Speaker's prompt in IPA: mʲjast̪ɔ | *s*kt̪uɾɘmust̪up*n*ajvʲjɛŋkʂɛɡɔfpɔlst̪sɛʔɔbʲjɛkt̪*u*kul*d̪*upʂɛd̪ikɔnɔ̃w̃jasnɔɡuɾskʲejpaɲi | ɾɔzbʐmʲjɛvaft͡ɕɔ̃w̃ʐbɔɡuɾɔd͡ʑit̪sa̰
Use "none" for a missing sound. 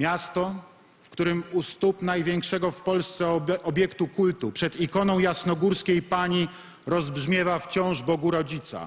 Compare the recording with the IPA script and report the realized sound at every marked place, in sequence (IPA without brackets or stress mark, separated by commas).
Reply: f, n, u, t̪